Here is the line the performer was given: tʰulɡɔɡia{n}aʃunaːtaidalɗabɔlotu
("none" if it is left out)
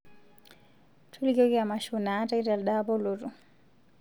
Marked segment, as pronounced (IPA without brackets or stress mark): m